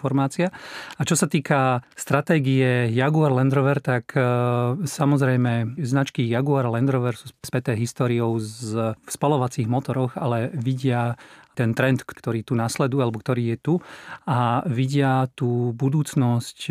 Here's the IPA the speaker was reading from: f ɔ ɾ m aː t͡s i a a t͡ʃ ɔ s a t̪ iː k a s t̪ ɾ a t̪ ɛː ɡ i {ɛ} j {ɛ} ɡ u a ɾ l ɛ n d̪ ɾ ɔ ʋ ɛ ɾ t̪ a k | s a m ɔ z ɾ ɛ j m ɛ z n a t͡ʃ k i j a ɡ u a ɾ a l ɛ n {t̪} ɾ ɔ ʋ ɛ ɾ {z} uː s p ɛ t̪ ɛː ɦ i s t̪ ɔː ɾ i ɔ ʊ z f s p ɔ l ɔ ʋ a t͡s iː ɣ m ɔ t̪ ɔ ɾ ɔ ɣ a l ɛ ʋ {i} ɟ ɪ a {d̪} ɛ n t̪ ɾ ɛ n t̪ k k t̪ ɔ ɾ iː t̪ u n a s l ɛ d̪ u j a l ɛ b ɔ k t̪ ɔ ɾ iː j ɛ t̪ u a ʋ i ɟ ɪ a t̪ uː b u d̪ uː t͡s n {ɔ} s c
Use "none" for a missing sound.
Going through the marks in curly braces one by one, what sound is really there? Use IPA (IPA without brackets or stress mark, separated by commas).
ɛ, a, d̪, s, i, t̪, ɔ